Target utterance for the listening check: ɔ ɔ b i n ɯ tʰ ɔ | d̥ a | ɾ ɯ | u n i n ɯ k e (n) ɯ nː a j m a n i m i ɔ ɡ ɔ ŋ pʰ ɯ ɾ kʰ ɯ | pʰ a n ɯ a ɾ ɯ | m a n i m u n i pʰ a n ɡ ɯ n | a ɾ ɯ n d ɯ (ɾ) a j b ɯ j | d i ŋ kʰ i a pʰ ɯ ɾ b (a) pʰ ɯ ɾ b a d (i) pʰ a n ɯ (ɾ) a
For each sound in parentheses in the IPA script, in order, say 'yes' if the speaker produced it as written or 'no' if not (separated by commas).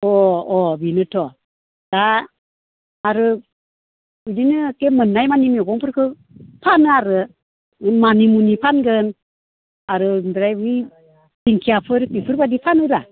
no, yes, no, yes, yes